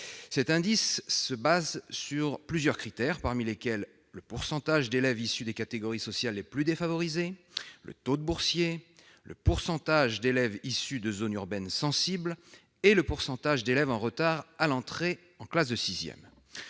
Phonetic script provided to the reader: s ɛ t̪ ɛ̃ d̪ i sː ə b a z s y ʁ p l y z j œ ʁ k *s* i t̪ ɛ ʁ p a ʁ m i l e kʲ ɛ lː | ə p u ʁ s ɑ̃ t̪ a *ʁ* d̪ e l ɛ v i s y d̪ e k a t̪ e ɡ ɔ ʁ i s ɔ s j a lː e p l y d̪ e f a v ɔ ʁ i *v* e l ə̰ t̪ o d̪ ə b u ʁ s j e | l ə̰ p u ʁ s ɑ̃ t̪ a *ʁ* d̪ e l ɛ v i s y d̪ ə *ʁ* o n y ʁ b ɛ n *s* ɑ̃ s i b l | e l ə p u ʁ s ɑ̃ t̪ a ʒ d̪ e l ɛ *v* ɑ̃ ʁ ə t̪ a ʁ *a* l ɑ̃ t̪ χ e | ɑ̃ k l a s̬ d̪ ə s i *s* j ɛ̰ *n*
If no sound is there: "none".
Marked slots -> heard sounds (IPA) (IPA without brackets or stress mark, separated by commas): χ, ʒ, z, ʒ, z, s, v, a, z, m